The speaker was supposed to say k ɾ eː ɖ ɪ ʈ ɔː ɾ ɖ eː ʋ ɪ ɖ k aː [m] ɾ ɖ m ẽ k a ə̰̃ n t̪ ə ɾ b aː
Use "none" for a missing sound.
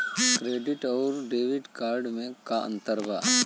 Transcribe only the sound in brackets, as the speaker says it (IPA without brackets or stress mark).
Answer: none